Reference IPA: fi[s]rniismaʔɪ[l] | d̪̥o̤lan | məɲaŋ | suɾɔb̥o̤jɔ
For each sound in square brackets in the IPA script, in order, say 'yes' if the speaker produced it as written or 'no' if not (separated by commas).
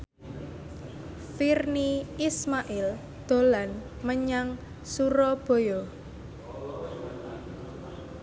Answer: no, yes